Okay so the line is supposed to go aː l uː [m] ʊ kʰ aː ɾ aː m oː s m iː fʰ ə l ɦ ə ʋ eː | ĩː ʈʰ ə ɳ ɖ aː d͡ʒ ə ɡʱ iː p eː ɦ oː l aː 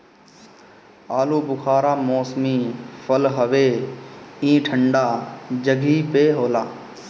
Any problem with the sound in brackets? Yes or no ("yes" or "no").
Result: yes